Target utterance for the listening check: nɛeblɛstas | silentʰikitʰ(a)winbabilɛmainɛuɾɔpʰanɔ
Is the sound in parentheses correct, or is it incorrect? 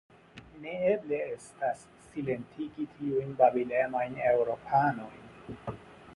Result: incorrect